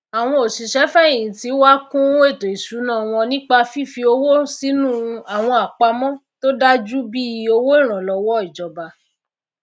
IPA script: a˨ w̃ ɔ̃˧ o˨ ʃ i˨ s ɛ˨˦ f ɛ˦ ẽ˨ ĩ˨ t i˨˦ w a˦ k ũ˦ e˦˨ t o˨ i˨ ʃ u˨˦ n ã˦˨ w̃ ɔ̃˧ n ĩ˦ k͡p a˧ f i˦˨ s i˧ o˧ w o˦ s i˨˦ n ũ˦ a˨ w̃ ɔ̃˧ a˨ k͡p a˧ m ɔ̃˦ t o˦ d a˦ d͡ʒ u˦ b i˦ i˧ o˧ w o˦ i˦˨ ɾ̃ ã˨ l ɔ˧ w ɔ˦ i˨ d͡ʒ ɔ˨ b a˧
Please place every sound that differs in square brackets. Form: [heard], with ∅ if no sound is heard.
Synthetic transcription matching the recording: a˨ w̃ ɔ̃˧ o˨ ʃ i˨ [ʃ] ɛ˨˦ f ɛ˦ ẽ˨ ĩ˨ t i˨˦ w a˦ k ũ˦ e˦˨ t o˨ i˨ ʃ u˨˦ n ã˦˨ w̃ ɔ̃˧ n ĩ˦ k͡p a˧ f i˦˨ [f] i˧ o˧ w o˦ s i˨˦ n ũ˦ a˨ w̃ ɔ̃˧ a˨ k͡p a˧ m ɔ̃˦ t o˦ d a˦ d͡ʒ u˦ b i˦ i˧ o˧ w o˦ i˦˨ ɾ̃ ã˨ l ɔ˧ w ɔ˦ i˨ d͡ʒ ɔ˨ b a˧